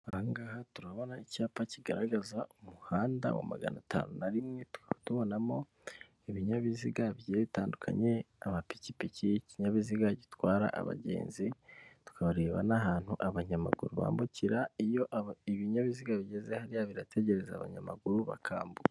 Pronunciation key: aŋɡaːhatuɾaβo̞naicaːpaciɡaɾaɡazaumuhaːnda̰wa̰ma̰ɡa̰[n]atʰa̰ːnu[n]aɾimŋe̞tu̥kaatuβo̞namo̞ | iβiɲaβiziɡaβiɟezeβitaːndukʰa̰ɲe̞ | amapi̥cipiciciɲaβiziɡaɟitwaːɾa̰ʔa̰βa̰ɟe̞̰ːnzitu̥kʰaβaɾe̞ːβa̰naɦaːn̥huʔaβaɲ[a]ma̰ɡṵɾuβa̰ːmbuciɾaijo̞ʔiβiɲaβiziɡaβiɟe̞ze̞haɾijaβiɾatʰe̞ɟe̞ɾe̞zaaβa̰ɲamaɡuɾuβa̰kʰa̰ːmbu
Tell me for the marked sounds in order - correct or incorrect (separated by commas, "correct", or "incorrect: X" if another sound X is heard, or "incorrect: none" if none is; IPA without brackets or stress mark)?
correct, correct, correct